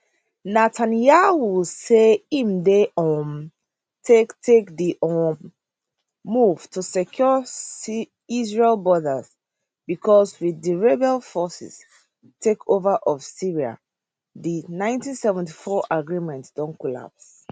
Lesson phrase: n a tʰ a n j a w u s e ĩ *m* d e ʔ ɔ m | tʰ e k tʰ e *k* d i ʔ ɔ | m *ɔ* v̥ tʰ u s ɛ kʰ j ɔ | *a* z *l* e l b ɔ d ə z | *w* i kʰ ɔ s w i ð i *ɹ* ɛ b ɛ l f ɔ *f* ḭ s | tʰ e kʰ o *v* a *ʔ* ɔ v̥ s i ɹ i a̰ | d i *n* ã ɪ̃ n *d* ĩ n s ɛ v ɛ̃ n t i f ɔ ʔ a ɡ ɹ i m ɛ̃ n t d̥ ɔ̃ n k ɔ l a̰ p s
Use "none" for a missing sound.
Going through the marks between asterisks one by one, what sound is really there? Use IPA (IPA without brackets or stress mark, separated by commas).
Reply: m, k, u, i, ɹ, b, ɹ, s, v, ʔ, n, t